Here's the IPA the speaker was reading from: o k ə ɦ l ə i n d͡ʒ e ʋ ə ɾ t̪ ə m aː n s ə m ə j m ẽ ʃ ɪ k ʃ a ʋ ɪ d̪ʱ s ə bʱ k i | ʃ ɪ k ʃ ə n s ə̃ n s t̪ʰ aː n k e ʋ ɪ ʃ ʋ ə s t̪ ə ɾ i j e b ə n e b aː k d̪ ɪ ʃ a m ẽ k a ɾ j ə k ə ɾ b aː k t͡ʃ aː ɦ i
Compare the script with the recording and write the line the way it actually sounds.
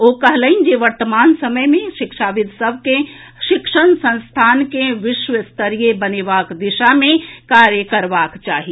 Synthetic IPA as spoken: o k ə ɦ l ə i n d͡ʒ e ʋ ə ɾ t̪ ə m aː n s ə m ə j m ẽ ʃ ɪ k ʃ a ʋ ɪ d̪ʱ s ə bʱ k e | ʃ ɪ k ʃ ə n s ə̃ n s t̪ʰ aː n k e ʋ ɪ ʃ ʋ ə s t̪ ə ɾ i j e b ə n e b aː k d̪ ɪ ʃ a m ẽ k a ɾ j ə k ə ɾ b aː k t͡ʃ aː ɦ i